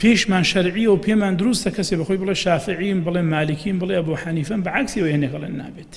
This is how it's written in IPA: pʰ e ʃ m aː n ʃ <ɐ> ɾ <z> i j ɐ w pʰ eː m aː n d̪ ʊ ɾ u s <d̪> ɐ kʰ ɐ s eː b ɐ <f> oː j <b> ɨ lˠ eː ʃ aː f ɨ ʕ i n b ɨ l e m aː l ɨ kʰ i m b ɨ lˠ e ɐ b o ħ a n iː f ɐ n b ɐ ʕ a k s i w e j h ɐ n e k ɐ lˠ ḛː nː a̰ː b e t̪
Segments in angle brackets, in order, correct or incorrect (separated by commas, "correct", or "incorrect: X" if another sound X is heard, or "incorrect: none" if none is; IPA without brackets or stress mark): correct, incorrect: ʕ, incorrect: t̪, incorrect: x, correct